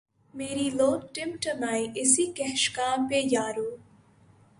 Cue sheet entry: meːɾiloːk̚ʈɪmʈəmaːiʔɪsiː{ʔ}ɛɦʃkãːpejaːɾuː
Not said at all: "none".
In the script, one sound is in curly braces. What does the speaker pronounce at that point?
k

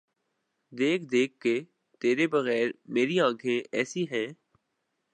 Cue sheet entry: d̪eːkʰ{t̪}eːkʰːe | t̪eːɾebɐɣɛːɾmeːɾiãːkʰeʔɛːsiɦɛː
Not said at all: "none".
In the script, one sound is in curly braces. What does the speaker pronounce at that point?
d̪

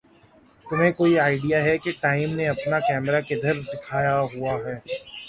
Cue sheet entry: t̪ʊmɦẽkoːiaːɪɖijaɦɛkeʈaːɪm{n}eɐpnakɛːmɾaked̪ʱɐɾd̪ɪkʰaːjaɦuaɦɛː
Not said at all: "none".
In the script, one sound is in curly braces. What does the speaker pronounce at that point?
n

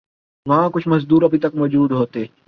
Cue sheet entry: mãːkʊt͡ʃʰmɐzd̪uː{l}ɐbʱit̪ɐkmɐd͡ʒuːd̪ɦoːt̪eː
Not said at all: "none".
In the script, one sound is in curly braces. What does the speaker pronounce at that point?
ɾ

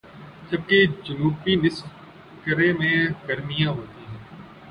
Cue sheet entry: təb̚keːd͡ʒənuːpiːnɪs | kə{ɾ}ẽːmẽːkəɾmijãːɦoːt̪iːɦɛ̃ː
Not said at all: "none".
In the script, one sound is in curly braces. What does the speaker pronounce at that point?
ɾ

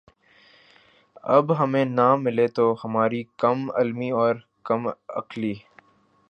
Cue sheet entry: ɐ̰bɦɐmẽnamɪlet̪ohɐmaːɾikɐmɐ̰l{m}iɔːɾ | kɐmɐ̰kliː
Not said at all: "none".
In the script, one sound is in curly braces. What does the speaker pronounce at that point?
m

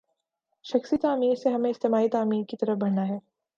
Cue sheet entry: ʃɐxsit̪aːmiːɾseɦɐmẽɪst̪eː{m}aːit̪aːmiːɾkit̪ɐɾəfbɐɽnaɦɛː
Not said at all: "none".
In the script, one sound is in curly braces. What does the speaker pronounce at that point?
m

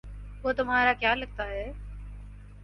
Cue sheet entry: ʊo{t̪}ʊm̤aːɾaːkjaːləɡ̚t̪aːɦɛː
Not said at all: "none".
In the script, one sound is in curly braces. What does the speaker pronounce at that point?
t̪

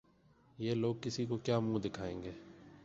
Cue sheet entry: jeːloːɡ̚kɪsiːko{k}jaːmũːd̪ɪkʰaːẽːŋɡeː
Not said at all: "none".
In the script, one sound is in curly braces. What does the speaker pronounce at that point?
k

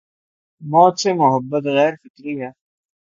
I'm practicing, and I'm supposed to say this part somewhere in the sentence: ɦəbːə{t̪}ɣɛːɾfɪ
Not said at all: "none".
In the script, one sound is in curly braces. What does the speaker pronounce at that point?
t̪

